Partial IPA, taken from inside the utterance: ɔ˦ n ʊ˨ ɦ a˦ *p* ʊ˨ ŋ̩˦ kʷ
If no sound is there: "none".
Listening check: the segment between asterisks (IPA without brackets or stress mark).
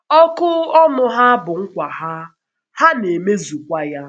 b